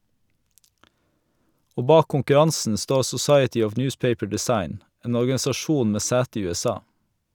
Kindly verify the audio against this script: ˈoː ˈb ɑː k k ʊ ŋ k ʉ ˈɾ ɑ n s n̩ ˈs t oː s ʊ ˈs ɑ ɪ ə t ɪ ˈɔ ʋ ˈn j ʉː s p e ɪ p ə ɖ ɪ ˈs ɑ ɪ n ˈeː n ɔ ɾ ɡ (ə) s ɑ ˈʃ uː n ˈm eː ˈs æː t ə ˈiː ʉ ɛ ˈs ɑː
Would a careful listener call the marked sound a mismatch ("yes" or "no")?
yes